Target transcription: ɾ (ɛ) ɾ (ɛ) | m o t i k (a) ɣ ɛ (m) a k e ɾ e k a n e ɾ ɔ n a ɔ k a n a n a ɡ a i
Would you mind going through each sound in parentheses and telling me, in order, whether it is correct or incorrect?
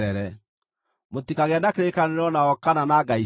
correct, correct, correct, incorrect

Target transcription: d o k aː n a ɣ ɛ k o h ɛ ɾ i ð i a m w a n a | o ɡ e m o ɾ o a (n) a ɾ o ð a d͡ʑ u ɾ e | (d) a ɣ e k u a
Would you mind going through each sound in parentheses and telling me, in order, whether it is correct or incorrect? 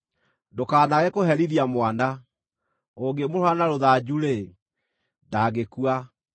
correct, correct

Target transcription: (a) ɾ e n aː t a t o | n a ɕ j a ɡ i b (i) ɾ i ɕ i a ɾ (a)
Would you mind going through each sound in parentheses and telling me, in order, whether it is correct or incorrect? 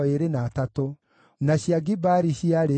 incorrect, incorrect, incorrect

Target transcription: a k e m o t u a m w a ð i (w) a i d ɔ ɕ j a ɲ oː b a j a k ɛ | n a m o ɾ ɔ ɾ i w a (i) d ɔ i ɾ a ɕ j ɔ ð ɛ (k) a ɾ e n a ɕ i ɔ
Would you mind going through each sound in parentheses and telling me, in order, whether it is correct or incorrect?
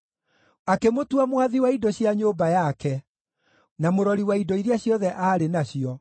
correct, correct, incorrect

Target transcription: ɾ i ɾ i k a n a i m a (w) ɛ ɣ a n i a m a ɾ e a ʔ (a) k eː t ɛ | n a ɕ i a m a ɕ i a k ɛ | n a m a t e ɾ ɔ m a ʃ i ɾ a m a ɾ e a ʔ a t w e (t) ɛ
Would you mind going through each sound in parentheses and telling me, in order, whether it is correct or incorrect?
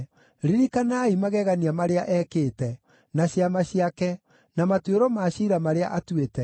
incorrect, incorrect, correct

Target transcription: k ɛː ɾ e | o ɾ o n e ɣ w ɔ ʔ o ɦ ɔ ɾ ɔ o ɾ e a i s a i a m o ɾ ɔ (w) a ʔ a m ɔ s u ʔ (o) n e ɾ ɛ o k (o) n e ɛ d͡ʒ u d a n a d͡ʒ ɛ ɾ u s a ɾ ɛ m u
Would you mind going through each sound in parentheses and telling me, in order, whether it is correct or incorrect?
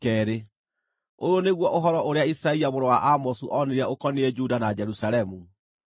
correct, incorrect, incorrect

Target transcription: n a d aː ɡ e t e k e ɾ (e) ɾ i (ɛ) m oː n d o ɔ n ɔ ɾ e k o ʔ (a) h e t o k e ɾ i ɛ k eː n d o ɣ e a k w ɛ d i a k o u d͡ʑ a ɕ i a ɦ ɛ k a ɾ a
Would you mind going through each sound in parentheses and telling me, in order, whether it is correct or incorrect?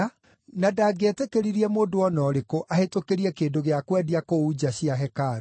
incorrect, correct, correct

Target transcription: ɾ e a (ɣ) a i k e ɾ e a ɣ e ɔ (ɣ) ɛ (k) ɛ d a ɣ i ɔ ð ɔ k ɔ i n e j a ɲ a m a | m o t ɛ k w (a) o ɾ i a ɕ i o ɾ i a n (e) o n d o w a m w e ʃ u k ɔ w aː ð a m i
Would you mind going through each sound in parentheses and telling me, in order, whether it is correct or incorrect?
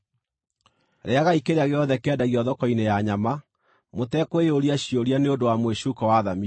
correct, incorrect, correct, incorrect, correct

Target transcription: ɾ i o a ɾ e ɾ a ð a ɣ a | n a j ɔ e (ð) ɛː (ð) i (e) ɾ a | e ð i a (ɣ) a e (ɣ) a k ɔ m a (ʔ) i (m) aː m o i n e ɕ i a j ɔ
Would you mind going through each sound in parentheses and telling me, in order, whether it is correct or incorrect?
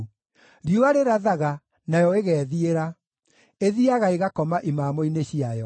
incorrect, correct, correct, correct, correct, correct, correct

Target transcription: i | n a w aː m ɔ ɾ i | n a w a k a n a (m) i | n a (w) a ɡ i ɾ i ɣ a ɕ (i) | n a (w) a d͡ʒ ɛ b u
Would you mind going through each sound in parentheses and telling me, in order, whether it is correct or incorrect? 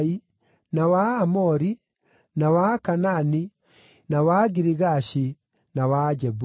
incorrect, correct, correct, correct

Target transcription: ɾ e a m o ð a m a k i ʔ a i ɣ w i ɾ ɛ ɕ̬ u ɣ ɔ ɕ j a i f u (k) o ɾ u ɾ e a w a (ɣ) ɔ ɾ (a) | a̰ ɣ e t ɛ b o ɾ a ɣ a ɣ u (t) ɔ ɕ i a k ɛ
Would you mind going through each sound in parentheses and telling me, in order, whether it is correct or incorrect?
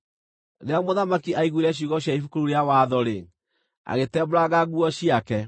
correct, incorrect, incorrect, incorrect

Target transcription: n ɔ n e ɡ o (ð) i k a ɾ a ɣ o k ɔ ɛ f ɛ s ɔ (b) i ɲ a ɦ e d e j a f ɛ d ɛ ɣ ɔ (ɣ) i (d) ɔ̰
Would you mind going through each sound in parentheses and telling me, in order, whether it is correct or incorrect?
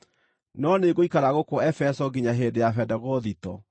incorrect, incorrect, incorrect, incorrect

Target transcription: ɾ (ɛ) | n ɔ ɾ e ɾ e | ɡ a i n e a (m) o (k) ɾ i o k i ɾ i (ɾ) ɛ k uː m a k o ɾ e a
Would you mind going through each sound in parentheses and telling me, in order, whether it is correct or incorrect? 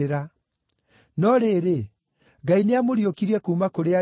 incorrect, correct, incorrect, incorrect

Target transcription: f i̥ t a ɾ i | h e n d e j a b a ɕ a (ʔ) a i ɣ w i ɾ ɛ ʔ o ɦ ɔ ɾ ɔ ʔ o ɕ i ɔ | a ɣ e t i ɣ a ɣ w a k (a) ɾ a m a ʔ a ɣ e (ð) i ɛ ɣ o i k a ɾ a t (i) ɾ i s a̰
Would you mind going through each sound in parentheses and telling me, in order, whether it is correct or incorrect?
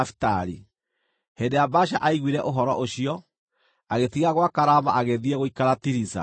correct, correct, correct, correct

